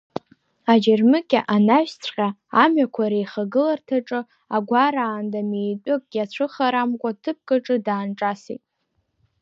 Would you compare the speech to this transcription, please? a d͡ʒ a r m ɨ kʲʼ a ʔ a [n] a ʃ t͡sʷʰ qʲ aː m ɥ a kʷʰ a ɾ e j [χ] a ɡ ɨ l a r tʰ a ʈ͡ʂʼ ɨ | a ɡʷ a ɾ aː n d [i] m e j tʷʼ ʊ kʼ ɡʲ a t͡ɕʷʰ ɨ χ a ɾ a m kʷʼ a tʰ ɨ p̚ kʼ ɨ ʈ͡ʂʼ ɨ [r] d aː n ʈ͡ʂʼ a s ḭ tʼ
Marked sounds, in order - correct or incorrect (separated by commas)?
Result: correct, correct, incorrect, incorrect